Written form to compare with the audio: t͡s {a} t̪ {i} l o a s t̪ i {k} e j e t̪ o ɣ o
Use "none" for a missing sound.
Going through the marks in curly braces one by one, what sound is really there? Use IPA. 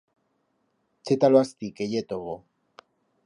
e, a, k

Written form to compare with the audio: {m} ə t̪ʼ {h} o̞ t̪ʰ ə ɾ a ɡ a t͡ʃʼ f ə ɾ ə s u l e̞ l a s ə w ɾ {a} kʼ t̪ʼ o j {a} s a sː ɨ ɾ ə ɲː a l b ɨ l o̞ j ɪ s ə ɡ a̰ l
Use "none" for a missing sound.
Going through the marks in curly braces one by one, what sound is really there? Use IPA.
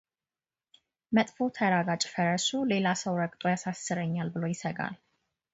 m, f, ə, a

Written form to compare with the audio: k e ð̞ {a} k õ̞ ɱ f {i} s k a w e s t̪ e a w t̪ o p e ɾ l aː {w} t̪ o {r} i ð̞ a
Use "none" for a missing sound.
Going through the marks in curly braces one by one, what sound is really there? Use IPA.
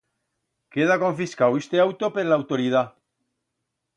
a, i, w, ɾ

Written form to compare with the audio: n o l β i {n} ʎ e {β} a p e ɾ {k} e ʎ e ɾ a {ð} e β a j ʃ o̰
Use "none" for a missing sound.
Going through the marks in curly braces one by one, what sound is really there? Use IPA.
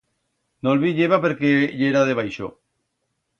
none, β, k, ð

